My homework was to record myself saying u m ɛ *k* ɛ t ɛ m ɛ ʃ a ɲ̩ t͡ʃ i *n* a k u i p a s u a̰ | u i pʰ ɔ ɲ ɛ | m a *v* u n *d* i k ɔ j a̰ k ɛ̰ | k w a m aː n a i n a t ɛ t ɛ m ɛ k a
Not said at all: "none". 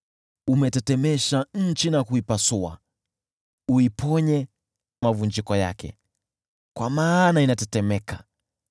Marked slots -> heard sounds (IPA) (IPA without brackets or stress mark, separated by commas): t, n, v, d͡ʒ